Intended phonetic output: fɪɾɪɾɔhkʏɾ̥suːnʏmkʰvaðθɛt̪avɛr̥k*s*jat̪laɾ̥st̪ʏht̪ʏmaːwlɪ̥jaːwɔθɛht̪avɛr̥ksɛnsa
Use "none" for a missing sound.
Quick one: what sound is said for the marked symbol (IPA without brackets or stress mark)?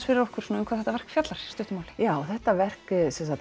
f